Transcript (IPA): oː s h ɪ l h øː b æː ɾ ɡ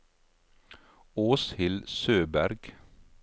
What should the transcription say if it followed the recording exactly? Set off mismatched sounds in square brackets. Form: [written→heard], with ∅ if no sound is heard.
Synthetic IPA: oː s h ɪ l [h→s] øː b [æː→æ] ɾ ɡ